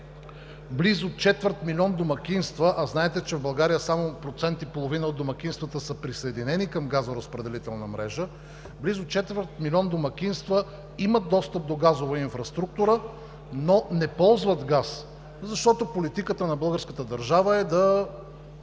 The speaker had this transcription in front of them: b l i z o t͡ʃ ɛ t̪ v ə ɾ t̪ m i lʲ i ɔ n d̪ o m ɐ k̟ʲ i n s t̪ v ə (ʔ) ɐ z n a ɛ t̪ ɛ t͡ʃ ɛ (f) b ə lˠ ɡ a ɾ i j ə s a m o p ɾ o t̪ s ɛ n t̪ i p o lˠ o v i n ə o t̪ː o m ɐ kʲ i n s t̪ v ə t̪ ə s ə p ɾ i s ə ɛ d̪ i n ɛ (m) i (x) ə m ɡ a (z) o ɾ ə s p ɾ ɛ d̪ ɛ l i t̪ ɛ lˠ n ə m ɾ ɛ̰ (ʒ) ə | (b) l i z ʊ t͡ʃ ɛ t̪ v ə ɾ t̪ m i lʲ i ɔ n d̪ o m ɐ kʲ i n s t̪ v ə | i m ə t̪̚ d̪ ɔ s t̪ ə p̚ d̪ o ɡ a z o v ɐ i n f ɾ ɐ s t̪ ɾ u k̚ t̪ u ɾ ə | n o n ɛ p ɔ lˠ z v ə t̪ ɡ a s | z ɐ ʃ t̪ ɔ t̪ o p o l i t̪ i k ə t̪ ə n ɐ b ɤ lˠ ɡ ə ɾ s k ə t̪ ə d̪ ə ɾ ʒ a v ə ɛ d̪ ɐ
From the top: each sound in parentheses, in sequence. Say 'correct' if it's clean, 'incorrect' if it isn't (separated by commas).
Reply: correct, incorrect, incorrect, incorrect, correct, correct, correct